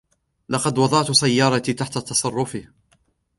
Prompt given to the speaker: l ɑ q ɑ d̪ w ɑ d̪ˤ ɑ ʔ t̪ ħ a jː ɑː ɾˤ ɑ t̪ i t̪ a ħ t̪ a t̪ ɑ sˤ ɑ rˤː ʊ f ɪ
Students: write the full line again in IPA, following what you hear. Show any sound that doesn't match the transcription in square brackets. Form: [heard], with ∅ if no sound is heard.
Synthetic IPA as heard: l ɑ q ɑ d̪ w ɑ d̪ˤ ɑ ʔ t̪ [s] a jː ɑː ɾˤ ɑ t̪ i t̪ a ħ t̪ a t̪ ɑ sˤ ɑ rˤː ʊ f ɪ